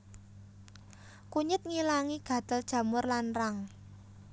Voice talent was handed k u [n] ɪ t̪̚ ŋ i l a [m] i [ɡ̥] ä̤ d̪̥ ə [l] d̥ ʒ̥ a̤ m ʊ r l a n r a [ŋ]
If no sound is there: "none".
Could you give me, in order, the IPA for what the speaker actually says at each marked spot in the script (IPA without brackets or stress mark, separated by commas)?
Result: ɲ, ŋ, ɡ̥, l, ŋ